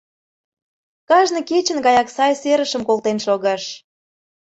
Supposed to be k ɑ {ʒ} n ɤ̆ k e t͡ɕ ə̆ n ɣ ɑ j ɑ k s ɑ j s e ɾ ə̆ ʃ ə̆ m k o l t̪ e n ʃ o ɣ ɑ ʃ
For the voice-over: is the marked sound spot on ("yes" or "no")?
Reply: yes